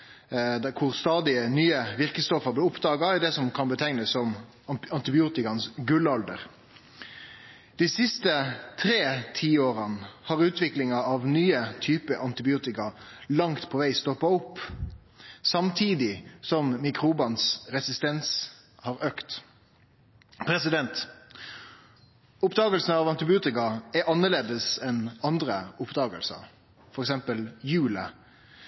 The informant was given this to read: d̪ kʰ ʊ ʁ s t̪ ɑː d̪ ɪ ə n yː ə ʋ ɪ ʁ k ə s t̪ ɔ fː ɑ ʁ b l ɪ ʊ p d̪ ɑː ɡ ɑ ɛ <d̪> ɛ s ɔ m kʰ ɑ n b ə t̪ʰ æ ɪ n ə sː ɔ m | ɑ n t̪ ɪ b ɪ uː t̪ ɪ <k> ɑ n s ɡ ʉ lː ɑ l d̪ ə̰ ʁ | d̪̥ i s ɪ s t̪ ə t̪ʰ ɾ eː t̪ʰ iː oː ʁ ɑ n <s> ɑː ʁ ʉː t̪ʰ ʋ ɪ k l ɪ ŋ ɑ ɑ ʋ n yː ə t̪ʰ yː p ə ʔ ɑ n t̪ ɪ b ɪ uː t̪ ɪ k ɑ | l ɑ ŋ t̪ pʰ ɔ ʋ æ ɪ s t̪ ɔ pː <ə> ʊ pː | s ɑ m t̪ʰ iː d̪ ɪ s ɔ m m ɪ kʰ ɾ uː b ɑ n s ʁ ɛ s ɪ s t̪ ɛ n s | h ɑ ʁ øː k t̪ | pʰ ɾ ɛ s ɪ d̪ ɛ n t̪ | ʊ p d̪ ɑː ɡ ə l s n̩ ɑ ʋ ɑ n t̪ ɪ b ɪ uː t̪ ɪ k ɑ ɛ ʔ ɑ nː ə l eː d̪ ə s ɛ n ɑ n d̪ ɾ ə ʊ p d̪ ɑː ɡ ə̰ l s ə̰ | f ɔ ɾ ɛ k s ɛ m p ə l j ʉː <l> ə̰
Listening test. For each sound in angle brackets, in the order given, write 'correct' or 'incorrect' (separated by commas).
correct, correct, incorrect, incorrect, correct